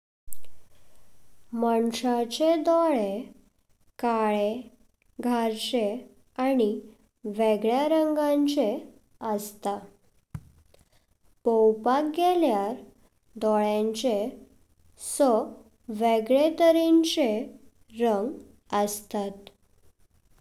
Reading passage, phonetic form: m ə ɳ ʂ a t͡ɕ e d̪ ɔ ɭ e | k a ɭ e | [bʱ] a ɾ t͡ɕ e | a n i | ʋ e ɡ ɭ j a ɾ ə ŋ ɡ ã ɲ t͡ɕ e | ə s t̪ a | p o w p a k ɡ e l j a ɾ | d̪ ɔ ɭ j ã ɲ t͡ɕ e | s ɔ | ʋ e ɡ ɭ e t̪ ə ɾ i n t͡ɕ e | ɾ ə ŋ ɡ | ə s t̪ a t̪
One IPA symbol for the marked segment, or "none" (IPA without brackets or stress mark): ɡʱ